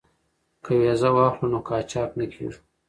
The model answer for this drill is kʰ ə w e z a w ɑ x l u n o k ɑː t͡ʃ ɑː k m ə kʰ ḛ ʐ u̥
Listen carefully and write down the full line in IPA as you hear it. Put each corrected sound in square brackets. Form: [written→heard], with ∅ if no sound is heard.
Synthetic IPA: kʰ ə w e z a w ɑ x l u n o k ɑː t͡ʃ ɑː k [m→n] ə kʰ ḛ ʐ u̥